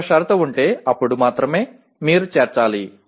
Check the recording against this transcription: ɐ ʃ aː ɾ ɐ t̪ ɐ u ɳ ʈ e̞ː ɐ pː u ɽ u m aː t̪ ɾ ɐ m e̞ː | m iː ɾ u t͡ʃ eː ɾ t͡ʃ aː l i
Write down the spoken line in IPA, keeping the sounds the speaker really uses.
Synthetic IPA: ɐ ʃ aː ɾ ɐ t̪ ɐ u ɳ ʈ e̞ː ɐ pː u ɽ u m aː t̪ ɾ ɐ m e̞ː | m iː ɾ u t͡ʃ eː ɾ t͡ʃ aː l i

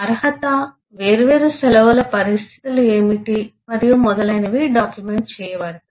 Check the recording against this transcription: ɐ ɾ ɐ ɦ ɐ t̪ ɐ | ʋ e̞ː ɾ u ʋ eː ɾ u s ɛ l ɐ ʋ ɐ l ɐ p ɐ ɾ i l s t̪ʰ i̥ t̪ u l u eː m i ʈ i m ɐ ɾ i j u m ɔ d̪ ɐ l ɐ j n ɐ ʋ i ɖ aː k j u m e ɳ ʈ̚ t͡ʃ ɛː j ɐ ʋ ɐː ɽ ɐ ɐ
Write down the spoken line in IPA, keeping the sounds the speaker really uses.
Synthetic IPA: ɐ ɾ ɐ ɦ ɐ t̪ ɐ | ʋ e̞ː ɾ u ʋ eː ɾ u s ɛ l ɐ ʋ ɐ l ɐ p ɐ ɾ i s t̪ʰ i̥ t̪ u l u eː m i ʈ i m ɐ ɾ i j u m ɔ d̪ ɐ l ɐ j n ɐ ʋ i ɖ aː k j u m e ɳ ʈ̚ t͡ʃ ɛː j ɐ ʋ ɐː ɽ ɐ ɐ

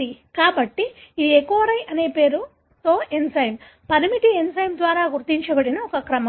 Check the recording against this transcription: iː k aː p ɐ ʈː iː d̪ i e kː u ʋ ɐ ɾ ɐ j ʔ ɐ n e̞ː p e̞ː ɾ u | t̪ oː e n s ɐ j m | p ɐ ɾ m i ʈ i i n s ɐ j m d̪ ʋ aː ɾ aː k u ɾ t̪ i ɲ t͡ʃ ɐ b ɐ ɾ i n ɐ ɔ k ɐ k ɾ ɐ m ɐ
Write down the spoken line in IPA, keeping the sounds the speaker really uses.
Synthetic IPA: i k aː b ɐ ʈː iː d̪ i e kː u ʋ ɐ ɾ ɐ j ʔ ɐ n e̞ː p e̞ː ɾ u | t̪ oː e n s ɐ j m | p ɐ ɾ m i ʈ i e n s ɐ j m d̪ ʋ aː ɾ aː ɡ u ɾ t̪ i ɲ t͡ʃ ɐ b ɐ ɽ i n ɐ ɔ k ɐ k ɾ ɐ m ɐ

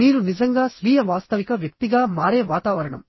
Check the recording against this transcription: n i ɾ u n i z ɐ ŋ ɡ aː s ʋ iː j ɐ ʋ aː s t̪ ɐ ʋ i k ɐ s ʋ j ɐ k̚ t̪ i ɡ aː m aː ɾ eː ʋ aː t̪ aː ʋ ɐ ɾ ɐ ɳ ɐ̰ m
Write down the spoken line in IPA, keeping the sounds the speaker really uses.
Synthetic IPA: n iː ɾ u n i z ɐ ŋ ɡ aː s ʋ iː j ɐ ʋ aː s t̪ ɐ ʋ i k ɐ ʋ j ɐ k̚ t̪ i ɡ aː m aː ɾ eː ʋ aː t̪ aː ʋ ɐ ɾ ɐ ɳ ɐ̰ m

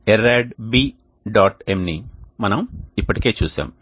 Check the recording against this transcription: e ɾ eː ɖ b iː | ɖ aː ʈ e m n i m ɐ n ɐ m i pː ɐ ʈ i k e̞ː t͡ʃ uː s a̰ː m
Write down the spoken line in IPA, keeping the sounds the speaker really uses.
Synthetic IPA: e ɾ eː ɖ b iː | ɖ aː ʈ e m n i m ɐ n ɐ m i pː ɐ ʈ i k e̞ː t͡ʃ uː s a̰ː m

